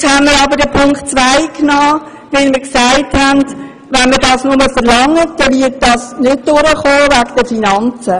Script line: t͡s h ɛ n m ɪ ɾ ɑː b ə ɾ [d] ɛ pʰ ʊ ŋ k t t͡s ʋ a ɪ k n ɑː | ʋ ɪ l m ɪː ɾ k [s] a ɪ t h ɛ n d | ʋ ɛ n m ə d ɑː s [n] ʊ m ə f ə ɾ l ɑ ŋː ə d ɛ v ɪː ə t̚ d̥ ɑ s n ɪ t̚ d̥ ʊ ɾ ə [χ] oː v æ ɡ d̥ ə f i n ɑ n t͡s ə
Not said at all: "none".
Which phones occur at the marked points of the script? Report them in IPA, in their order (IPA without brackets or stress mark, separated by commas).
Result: d, s, n, χ